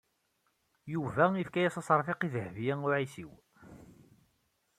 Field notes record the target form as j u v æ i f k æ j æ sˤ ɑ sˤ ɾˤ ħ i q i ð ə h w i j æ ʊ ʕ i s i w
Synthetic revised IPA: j u v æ i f k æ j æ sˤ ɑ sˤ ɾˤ f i q i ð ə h v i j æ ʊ ʕ i s i w